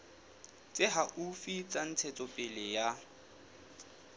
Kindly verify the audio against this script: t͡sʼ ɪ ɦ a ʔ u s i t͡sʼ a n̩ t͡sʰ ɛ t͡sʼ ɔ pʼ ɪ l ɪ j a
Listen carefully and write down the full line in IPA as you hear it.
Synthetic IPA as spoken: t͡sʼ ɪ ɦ a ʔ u f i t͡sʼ a n̩ t͡sʰ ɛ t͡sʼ ɔ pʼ ɪ l ɪ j a